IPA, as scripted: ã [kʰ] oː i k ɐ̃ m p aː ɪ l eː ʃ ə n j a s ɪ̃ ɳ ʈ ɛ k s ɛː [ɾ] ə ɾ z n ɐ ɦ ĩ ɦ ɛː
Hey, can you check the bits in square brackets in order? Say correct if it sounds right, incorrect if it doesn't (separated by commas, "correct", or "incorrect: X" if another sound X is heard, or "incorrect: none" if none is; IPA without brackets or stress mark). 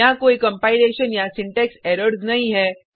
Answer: incorrect: k, correct